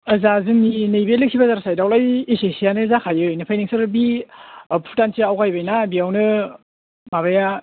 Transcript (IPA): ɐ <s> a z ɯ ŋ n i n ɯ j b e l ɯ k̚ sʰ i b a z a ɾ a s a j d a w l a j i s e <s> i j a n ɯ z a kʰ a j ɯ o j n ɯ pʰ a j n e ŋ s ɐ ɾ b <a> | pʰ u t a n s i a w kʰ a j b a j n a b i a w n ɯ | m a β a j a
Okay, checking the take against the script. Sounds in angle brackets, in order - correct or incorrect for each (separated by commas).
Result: incorrect, correct, incorrect